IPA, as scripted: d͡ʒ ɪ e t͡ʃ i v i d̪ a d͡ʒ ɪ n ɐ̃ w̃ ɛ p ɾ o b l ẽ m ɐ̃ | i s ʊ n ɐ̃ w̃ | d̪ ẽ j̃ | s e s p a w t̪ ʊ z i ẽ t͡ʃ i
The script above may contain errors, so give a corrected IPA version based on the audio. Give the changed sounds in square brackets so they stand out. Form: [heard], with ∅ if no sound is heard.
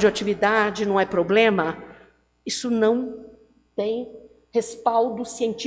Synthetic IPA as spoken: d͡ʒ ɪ [a] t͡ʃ i v i d̪ a d͡ʒ ɪ n ɐ̃ w̃ ɛ p ɾ o b l ẽ m [ɐ] | i s ʊ n ɐ̃ w̃ | [t̪] ẽ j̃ | [h] e s p a w [d̪] ʊ [s] i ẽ t͡ʃ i